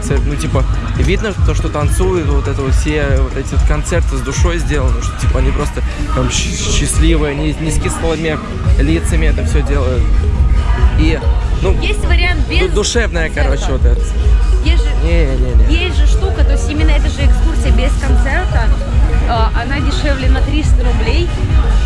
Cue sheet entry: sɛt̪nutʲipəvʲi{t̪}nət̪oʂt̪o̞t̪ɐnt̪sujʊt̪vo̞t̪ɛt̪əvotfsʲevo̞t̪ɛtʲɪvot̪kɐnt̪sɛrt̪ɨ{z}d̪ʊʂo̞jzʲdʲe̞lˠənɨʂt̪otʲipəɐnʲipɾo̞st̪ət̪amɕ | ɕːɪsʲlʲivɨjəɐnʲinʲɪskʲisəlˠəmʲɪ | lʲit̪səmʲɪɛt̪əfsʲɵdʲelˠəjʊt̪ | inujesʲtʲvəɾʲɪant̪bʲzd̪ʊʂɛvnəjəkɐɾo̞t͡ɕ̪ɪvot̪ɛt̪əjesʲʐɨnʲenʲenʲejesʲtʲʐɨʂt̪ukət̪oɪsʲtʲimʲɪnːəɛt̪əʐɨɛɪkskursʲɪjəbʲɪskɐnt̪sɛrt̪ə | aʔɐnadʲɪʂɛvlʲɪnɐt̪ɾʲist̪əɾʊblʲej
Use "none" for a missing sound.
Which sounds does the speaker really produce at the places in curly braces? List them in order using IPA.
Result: d̪, z

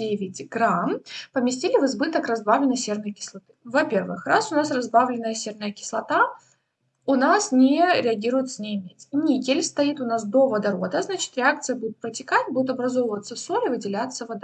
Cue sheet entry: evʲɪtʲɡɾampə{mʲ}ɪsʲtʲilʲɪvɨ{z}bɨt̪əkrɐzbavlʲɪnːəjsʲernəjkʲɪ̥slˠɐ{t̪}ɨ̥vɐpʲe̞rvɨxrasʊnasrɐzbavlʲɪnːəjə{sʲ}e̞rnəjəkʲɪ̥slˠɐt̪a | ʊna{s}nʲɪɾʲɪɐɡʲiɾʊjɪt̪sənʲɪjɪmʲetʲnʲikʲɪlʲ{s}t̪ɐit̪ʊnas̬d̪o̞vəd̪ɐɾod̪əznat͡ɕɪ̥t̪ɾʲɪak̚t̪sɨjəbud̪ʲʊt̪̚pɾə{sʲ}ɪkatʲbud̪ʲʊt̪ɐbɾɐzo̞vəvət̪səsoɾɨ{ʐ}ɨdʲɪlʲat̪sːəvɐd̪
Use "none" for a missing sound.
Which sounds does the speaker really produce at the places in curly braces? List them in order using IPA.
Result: mʲ, z, t̪, sʲ, s, s, tʲ, v

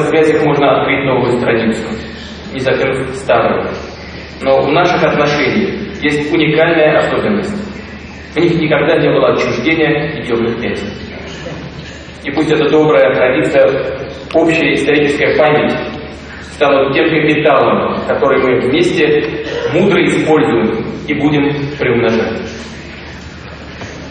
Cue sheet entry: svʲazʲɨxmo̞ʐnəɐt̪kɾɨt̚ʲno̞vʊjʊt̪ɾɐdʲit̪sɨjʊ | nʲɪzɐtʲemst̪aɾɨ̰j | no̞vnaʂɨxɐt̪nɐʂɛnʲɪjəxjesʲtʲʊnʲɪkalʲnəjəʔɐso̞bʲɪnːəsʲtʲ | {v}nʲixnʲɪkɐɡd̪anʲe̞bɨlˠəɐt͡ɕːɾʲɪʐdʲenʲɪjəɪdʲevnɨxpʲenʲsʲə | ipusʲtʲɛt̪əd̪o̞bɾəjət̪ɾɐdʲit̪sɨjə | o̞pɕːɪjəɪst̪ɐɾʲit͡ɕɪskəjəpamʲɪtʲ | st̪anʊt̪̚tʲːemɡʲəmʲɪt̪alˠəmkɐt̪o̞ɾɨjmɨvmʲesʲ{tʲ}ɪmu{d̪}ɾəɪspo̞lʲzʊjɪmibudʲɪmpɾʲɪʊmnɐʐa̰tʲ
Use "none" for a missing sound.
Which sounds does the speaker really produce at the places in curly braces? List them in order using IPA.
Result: v, tʲ, d̪

